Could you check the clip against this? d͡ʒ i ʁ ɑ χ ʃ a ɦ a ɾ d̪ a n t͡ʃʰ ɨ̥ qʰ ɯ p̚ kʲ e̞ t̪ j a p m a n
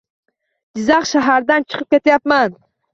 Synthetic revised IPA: d͡ʒ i z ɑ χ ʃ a ɦ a ɾ d̪ a n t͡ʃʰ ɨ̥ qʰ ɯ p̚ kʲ e̞ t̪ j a p m a n